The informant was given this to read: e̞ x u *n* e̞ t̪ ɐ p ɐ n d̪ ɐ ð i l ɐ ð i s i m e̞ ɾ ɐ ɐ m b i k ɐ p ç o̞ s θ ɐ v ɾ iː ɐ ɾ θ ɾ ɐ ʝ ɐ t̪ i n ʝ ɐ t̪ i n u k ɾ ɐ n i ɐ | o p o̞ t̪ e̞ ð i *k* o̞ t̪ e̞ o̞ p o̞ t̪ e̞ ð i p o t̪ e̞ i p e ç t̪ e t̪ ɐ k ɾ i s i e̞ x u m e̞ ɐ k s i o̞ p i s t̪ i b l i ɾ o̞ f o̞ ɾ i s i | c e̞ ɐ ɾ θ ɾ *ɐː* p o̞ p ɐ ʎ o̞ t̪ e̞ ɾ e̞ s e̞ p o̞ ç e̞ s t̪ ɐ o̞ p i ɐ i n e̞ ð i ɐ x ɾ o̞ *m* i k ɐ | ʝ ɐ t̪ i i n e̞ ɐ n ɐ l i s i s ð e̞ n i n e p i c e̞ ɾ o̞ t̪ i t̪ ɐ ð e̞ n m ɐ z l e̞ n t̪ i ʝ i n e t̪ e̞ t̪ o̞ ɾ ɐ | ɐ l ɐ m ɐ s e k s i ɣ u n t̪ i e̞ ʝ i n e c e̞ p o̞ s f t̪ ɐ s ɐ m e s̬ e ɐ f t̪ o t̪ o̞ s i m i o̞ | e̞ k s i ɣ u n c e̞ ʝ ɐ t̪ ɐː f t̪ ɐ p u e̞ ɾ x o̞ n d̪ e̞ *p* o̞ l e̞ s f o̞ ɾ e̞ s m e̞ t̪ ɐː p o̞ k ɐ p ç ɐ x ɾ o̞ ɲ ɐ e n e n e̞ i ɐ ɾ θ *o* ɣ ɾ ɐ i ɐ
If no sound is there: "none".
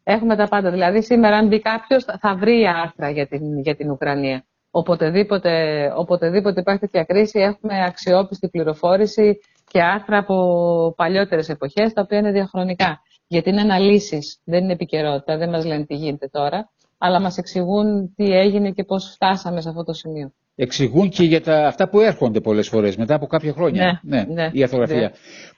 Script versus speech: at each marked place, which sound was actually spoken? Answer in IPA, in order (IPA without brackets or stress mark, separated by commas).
m, p, ɐː, n, p, o